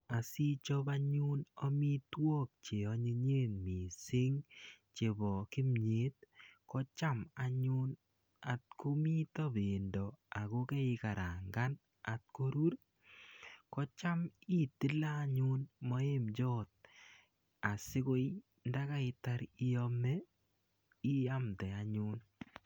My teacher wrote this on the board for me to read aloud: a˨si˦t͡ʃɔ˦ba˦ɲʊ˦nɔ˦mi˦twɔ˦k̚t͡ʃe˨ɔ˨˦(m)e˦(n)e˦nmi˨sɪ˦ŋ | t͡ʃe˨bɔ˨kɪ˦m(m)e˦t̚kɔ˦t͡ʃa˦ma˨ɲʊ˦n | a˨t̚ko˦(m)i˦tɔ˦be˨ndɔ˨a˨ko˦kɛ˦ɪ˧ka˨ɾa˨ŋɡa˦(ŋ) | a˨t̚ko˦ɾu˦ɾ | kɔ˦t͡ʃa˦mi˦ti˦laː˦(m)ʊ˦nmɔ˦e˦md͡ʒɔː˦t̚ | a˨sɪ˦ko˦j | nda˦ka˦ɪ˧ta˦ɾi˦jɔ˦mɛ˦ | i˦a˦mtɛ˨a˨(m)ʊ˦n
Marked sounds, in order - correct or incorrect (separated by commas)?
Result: incorrect, incorrect, incorrect, correct, incorrect, incorrect, incorrect